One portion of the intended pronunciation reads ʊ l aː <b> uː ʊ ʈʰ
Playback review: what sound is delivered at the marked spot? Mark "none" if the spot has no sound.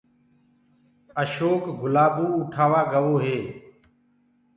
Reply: b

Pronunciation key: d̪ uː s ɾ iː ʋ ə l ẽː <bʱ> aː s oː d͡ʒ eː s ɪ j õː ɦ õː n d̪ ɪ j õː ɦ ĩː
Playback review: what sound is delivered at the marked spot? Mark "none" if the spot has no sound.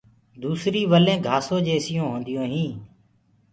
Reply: ɡʱ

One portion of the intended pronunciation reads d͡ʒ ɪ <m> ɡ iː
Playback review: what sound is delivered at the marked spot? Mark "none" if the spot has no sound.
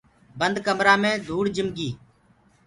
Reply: m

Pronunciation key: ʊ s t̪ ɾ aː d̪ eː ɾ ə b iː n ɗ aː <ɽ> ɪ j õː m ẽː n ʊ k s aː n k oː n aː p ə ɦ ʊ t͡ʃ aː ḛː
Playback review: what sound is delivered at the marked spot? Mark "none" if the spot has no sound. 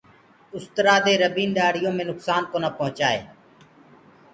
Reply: ɽ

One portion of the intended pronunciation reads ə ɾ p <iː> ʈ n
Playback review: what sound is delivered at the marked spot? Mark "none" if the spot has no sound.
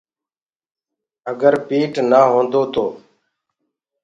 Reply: iː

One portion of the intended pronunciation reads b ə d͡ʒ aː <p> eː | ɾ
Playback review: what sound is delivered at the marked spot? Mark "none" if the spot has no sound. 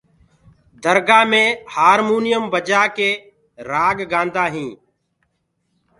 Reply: k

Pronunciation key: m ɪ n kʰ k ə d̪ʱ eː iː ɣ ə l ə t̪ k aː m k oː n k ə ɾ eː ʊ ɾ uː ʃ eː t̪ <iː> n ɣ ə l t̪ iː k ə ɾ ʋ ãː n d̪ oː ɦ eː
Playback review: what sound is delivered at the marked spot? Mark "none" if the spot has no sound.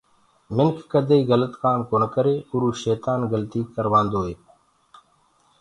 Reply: aː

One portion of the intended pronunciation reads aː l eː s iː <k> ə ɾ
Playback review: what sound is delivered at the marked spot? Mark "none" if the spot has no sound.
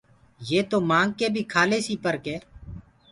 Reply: p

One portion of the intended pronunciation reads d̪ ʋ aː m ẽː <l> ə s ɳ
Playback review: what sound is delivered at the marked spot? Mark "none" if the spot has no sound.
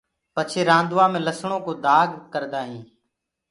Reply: l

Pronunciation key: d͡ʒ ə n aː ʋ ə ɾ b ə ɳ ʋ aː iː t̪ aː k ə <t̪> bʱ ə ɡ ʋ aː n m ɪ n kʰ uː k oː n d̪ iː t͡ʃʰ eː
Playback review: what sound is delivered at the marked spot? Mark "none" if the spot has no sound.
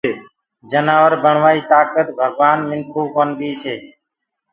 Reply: t̪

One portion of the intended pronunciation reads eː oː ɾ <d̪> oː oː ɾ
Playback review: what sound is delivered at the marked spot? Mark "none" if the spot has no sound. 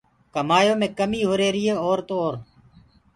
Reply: t̪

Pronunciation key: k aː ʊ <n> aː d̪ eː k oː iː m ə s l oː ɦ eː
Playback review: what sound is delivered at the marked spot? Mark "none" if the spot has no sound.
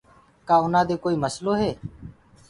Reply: n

